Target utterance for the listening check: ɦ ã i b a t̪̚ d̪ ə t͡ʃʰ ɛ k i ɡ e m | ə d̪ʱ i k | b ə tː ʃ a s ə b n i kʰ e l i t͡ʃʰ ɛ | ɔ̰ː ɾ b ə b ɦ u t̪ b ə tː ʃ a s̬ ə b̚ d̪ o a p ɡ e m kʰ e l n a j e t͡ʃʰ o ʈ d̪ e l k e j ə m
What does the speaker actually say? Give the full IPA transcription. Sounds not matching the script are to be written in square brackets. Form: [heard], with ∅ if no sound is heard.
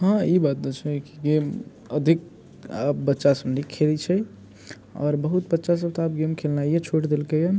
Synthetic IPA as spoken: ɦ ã i b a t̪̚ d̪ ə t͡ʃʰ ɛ k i ɡ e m | ə d̪ʱ i k | b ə tː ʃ a s ə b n i kʰ e l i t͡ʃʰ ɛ | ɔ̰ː ɾ b ə [∅] ɦ u t̪ b ə tː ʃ a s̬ ə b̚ [t̪] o a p ɡ e m kʰ e l n a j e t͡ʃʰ o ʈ d̪ e l k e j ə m